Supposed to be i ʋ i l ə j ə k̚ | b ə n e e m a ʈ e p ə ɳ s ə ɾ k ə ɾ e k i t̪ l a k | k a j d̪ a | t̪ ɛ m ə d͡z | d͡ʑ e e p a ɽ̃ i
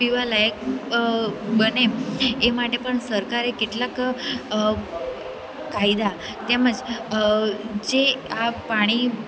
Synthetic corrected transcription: i ʋ a l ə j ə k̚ | b ə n e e m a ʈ e p ə ɳ s ə ɾ k a ɾ e k i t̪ l a k | k a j d̪ a | t̪ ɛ m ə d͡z | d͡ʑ e a p a ɽ̃ i

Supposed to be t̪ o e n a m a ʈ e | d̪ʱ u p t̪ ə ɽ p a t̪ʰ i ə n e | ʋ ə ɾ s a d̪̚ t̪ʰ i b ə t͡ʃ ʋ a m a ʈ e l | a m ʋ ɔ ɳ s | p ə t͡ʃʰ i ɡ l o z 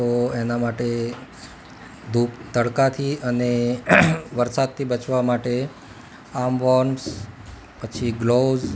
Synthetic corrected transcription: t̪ o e n a m a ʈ e | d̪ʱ u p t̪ ə ɽ k a t̪ʰ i ə n e | ʋ ə ɾ s a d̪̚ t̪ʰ i b ə t͡ʃ ʋ a m a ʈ e | a m ʋ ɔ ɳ s | p ə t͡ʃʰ i ɡ l o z

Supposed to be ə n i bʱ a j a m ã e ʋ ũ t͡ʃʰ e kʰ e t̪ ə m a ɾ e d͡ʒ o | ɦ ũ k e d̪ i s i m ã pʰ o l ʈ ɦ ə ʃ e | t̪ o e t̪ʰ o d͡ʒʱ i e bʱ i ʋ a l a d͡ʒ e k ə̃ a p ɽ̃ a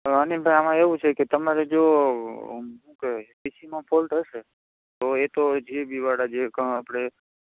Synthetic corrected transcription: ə n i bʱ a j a m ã e ʋ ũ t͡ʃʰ e k e t̪ ə m a ɾ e d͡ʒ o | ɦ ũ k e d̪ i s i m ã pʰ o l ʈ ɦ ə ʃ e | t̪ o e t̪ o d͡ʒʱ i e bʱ i ʋ a ɽ a d͡ʒ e k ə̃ a p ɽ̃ e

